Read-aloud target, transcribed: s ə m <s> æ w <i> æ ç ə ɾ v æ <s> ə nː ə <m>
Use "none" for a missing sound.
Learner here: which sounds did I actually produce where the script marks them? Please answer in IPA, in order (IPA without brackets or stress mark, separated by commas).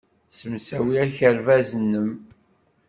s, i, z, m